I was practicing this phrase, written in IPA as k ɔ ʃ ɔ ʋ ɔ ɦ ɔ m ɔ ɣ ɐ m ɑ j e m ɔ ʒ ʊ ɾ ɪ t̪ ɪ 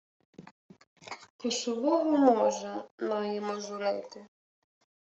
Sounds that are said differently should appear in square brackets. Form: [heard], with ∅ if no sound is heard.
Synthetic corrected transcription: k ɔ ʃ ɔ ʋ ɔ ɦ ɔ m ɔ [ʒ] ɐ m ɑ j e m ɔ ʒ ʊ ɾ ɪ t̪ ɪ